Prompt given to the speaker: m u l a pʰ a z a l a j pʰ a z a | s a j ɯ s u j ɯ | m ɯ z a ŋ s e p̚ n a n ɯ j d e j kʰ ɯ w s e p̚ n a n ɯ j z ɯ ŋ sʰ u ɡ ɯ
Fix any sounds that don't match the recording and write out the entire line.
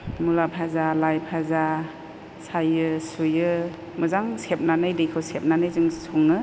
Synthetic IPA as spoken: m u l a pʰ a z a l a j pʰ a z a | s a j ɯ s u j ɯ | m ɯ z a ŋ s e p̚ n a n ɯ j d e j kʰ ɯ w s e p̚ n a n ɯ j z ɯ ŋ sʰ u ŋ ɯ